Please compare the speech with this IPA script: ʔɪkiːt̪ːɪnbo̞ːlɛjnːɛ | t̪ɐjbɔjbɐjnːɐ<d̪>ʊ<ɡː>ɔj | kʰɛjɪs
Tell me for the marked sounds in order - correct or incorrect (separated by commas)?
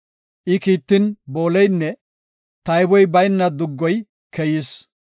correct, correct